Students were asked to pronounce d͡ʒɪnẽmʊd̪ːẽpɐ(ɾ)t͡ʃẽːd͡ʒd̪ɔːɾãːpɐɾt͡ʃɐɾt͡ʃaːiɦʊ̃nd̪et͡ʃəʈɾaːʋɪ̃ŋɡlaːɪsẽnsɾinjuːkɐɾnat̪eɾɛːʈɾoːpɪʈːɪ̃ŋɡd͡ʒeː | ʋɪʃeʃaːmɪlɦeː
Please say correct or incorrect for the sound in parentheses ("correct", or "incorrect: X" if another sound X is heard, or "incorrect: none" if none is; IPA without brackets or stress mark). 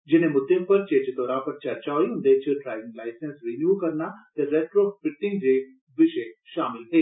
correct